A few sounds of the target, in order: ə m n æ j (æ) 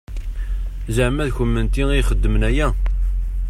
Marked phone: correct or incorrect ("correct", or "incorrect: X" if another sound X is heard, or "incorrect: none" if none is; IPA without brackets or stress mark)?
correct